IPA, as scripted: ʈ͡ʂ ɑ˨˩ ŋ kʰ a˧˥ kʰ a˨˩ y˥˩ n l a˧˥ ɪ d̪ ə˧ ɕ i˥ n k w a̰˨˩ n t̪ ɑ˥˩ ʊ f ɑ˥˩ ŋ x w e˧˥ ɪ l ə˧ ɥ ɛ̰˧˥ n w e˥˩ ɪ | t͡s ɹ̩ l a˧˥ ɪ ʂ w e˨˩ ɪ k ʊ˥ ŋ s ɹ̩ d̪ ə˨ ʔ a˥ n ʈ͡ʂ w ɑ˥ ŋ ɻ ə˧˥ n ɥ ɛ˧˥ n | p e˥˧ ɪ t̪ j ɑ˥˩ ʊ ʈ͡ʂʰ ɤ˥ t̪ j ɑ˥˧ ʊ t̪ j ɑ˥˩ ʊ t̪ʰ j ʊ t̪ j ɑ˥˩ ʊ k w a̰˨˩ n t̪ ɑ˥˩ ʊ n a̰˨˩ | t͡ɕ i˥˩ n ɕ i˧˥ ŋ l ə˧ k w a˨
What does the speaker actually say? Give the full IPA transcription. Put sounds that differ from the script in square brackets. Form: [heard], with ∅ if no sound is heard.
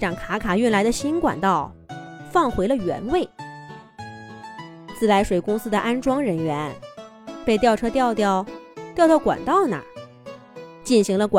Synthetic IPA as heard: ʈ͡ʂ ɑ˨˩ ŋ kʰ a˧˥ kʰ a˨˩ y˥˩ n l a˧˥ ɪ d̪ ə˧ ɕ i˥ n k w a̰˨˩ n t̪ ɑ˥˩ ʊ f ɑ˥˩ ŋ x w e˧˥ ɪ l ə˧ ɥ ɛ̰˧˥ n w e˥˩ ɪ | t͡s ɹ̩ l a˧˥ ɪ ʂ w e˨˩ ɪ k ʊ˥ ŋ s ɹ̩ d̪ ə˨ ʔ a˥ n ʈ͡ʂ w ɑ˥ ŋ ɻ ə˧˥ n ɥ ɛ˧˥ n | p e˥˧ ɪ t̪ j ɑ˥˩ ʊ ʈ͡ʂʰ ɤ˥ t̪ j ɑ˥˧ ʊ t̪ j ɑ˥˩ ʊ [t̪] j ʊ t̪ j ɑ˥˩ ʊ k w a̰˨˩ n t̪ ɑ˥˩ ʊ n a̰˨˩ | t͡ɕ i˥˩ n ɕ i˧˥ ŋ l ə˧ k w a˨